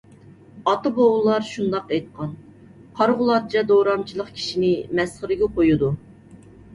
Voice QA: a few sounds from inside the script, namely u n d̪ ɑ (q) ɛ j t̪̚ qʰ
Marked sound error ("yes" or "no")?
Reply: no